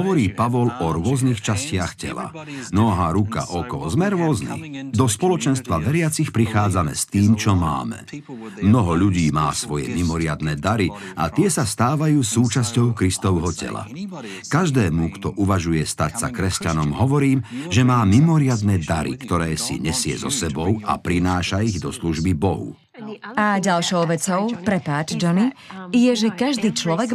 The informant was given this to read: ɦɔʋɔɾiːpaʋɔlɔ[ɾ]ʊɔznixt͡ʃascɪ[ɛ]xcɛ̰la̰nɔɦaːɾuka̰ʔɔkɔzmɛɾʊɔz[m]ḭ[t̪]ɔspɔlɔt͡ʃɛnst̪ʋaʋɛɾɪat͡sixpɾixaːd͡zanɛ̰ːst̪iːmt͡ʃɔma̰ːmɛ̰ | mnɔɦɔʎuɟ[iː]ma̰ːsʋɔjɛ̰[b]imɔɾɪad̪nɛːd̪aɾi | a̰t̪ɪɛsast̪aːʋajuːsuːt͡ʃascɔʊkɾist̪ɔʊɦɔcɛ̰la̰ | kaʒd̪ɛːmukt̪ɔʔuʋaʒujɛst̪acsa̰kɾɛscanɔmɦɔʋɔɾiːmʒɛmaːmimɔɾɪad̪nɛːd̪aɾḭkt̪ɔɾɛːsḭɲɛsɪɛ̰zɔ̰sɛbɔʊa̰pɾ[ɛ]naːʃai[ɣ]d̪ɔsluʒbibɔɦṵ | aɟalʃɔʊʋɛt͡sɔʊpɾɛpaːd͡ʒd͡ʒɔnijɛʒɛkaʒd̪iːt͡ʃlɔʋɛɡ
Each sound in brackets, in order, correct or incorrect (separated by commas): correct, incorrect, incorrect, incorrect, correct, incorrect, incorrect, correct